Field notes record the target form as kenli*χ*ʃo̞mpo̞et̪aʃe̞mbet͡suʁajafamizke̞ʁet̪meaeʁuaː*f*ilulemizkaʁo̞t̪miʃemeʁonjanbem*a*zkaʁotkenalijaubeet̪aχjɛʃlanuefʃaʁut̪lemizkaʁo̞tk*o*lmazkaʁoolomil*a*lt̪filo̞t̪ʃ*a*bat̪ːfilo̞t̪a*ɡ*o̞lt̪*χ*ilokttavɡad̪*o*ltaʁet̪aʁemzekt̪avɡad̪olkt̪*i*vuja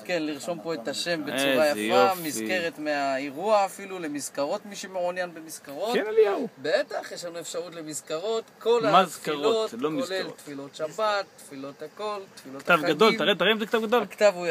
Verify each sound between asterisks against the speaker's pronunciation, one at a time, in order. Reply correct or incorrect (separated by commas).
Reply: incorrect, correct, incorrect, correct, incorrect, correct, incorrect, incorrect, correct, incorrect